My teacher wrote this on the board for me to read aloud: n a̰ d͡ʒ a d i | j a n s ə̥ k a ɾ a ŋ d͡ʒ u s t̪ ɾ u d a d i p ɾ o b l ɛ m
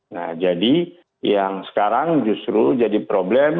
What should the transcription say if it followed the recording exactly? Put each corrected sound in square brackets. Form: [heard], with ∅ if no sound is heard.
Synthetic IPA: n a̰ d͡ʒ a d i | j a [ŋ] s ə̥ k a ɾ a ŋ d͡ʒ u s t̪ ɾ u [d͡ʒ] a d i p ɾ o b l ɛ m